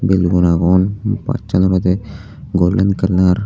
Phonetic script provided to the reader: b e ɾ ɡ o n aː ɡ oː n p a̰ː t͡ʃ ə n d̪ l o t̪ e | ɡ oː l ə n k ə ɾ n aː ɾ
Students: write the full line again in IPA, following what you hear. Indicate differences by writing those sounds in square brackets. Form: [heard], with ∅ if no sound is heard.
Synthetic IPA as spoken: b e [l] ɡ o n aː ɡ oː n p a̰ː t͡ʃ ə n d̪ [ɾ] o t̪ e | ɡ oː l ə n k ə ɾ n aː ɾ

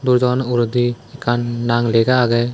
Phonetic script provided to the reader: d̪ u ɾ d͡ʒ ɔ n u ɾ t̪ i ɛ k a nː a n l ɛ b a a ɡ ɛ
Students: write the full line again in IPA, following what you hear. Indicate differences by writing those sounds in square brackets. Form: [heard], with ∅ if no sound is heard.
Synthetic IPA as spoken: d̪ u ɾ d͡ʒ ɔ n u ɾ [d̪] i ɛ k a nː a [ŋ] l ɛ [ɡ] a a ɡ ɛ

